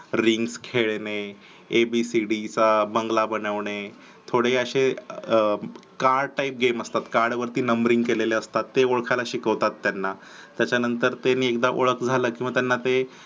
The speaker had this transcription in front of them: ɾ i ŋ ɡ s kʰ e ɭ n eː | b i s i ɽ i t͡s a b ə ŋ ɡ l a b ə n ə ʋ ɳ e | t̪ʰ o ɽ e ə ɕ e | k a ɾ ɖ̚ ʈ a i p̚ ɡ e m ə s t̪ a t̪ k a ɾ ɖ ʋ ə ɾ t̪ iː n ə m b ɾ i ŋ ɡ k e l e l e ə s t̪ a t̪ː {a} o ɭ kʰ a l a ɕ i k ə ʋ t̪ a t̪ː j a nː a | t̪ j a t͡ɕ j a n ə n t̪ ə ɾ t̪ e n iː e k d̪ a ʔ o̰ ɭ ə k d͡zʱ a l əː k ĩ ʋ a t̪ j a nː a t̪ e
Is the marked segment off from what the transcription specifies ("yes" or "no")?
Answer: yes